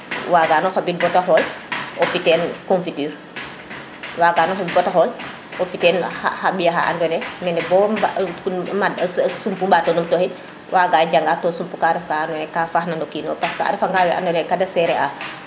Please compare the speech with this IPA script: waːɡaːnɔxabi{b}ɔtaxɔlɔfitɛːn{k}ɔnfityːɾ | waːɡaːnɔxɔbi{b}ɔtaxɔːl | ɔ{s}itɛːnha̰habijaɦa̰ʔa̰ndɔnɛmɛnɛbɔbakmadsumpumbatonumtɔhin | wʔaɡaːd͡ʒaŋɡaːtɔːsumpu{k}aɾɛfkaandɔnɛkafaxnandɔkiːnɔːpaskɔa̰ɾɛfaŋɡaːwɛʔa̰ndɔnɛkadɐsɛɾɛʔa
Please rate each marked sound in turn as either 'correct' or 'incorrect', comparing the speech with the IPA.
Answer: correct, correct, correct, incorrect, correct

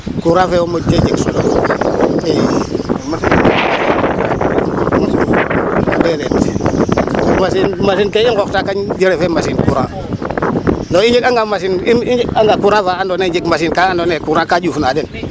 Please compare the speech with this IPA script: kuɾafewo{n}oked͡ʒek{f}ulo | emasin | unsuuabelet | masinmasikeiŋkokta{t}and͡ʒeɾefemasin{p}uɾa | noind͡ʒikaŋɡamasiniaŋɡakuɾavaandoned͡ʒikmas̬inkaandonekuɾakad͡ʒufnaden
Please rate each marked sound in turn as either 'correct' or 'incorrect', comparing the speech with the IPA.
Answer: incorrect, incorrect, incorrect, incorrect

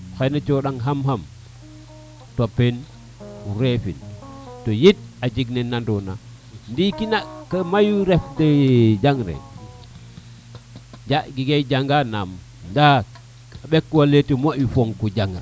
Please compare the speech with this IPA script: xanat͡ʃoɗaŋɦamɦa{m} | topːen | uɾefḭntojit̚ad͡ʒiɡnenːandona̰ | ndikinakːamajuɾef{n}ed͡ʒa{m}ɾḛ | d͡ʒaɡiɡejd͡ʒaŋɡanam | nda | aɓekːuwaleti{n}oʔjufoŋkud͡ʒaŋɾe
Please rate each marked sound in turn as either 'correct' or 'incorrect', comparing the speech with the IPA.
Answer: correct, incorrect, incorrect, incorrect

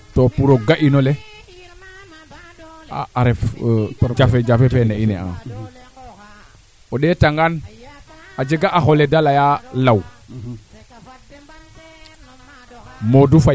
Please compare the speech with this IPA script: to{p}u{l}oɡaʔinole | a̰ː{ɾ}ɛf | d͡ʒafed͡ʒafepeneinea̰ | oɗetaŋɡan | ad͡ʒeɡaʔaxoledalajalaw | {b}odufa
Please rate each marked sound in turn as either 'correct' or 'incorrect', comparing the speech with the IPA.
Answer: correct, incorrect, correct, incorrect

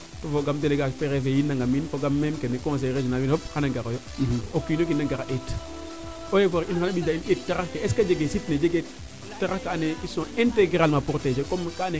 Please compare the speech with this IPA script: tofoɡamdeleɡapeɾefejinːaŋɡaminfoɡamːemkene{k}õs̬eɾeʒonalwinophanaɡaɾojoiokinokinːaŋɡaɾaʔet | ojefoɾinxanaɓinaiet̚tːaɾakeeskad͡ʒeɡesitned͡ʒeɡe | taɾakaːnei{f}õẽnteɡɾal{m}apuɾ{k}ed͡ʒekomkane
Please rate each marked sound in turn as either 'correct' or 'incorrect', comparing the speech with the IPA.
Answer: correct, incorrect, correct, incorrect

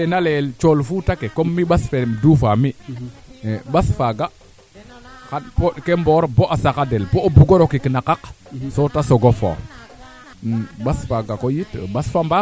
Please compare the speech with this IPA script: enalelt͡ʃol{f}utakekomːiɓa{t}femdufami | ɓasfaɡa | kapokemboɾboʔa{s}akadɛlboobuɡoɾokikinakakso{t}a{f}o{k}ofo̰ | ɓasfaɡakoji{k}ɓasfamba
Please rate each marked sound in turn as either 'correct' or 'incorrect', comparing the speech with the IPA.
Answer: correct, incorrect, correct, correct, incorrect, incorrect, incorrect

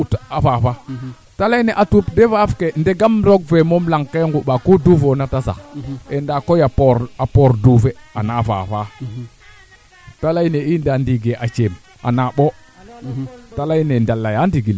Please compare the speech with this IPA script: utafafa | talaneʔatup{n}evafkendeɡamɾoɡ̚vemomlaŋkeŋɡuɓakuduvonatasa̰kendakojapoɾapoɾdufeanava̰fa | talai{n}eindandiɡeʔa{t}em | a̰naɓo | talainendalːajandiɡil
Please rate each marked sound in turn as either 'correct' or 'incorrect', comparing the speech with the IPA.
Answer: incorrect, correct, incorrect

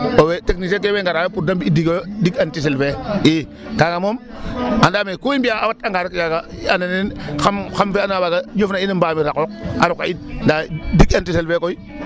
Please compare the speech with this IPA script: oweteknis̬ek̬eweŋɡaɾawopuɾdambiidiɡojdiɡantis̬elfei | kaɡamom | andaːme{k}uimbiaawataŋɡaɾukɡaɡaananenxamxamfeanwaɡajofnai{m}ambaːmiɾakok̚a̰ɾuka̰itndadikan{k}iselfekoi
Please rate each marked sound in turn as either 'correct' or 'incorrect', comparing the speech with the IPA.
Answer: correct, incorrect, incorrect

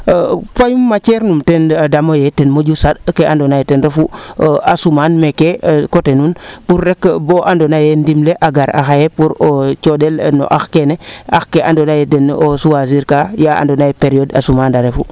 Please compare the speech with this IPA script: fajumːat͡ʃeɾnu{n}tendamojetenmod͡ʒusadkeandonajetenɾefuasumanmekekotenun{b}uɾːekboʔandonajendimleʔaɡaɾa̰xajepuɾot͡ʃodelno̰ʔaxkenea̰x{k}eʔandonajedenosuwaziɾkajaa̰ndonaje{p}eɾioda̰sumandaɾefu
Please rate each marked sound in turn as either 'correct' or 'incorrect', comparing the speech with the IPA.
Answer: incorrect, incorrect, correct, correct

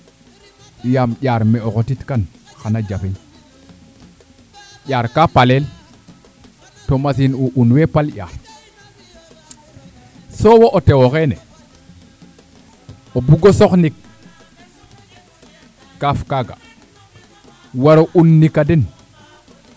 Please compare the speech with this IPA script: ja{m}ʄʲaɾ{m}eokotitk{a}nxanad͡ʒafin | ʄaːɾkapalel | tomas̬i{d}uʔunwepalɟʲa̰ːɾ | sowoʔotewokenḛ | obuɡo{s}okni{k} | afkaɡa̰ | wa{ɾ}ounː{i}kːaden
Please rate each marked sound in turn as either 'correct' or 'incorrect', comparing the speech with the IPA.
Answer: correct, correct, correct, incorrect, correct, correct, correct, correct

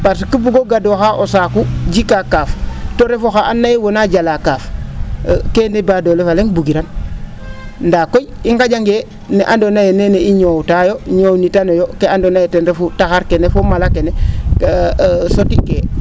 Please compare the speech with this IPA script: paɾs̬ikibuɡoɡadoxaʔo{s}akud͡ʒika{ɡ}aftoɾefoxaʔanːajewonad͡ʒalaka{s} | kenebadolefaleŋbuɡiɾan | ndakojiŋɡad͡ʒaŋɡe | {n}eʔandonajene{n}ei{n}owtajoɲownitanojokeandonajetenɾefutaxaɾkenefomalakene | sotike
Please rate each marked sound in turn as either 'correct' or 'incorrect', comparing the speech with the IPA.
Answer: correct, incorrect, incorrect, correct, correct, incorrect

